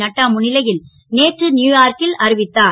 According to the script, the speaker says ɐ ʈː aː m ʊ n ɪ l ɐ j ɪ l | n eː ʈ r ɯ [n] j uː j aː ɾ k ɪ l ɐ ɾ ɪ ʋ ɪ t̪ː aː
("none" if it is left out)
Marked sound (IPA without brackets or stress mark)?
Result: n